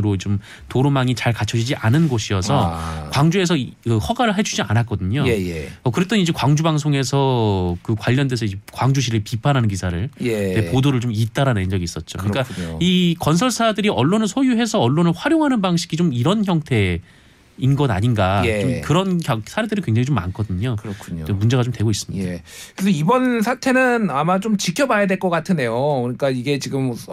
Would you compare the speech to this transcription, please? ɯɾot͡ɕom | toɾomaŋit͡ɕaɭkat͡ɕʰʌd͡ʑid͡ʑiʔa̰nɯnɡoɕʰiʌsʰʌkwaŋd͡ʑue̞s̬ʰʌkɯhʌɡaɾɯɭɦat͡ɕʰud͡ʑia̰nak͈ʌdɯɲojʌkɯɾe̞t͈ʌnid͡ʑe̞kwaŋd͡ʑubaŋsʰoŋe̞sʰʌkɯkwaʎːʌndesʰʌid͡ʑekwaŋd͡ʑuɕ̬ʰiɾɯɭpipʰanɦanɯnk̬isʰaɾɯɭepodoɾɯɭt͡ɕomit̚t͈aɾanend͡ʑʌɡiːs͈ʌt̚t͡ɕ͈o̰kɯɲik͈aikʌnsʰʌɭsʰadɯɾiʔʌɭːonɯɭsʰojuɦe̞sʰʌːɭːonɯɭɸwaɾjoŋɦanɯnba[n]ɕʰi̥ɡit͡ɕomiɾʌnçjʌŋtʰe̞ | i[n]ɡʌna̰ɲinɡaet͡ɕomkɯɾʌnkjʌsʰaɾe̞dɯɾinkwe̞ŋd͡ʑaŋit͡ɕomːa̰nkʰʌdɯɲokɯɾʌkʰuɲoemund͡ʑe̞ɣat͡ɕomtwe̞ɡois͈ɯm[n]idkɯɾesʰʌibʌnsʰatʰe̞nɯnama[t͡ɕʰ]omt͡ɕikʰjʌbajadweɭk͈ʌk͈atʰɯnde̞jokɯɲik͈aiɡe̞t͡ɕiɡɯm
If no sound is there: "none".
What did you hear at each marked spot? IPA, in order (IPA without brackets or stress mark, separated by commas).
ŋ, n, ɲ, t͡ɕ